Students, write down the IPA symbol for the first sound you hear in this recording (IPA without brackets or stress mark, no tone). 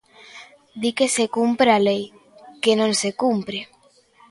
d̪